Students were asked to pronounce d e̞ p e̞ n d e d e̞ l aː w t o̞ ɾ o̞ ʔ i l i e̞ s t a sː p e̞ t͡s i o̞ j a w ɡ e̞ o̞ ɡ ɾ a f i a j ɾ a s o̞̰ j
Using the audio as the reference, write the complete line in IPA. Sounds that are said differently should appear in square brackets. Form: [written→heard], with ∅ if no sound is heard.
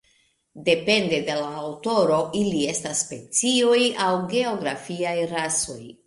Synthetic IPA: d e̞ p e̞ n d e d e̞ l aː w t o̞ ɾ o̞ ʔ i l i e̞ s t a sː p e̞ t͡s i o̞ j a w ɡ e̞ o̞ ɡ ɾ a f i a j ɾ a s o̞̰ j